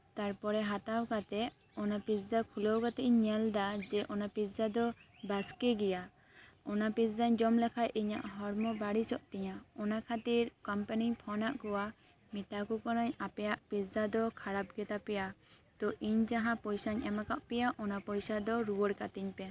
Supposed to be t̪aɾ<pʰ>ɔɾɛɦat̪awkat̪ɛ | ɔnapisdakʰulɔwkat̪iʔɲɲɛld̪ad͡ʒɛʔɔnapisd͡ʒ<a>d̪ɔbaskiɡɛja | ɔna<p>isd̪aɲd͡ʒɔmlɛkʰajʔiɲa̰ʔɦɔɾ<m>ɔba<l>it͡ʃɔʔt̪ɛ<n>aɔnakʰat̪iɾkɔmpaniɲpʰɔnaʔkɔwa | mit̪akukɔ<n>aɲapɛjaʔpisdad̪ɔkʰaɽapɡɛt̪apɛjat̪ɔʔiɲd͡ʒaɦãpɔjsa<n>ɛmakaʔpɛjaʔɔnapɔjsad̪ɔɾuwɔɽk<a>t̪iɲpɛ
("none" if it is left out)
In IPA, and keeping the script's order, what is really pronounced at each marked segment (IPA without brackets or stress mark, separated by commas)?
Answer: p, a, p, m, ɽ, ɲ, n, ɲ, a